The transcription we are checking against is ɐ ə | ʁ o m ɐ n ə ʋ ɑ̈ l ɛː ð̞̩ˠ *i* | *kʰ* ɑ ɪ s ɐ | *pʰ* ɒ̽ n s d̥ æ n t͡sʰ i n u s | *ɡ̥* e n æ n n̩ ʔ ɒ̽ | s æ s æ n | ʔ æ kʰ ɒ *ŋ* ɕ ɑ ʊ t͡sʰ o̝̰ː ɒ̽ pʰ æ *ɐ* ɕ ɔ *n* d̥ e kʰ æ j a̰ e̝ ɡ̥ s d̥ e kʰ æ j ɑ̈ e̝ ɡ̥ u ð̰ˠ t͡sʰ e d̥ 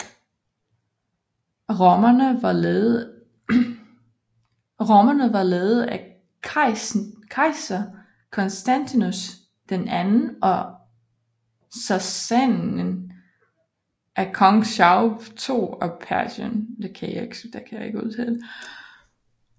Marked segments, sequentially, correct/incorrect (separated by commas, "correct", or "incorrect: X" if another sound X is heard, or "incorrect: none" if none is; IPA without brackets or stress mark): incorrect: æ, correct, incorrect: kʰ, incorrect: d̥, correct, correct, correct